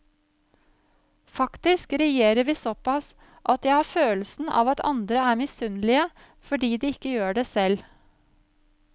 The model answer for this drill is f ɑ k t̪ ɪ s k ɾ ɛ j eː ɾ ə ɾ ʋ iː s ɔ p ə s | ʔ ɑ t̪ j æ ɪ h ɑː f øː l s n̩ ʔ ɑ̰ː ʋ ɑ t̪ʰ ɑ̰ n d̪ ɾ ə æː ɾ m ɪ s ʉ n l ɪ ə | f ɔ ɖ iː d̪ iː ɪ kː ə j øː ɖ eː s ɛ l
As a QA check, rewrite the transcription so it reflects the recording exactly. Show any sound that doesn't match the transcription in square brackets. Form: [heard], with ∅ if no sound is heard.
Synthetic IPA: f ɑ k t̪ ɪ s k ɾ ɛ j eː ɾ ə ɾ ʋ iː s ɔ p [ɑ] s | ʔ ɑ t̪ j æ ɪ h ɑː f øː l s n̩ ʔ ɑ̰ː ʋ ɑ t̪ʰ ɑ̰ n d̪ ɾ ə æː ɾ m ɪ s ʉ n l ɪ ə | f ɔ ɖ iː d̪ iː ɪ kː ə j øː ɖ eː s ɛ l